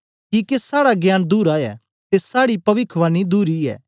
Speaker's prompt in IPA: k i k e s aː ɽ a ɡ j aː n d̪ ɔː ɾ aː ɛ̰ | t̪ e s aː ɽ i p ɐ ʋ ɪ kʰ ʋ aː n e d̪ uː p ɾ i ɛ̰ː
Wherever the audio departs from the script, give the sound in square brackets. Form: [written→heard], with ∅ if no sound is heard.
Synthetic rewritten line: k i k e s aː ɽ a ɡ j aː n d̪ [ɔː→uː] ɾ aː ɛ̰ | t̪ e s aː ɽ i p ɐ ʋ ɪ kʰ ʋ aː n [e→i] d̪ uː [p→∅] ɾ i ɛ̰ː